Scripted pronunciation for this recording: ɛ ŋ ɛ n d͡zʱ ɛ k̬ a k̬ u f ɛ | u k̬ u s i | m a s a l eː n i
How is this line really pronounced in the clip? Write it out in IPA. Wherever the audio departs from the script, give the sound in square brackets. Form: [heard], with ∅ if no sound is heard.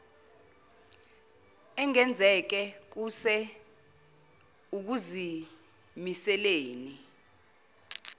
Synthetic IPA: ɛ ŋ ɛ n d͡zʱ ɛ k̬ [ɛ] k̬ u [s] ɛ | u k̬ u [z] i | m [i] s [ɛ] l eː n i